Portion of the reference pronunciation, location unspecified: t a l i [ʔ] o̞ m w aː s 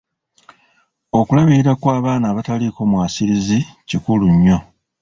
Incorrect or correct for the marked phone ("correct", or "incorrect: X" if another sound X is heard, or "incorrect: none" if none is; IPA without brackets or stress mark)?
incorrect: k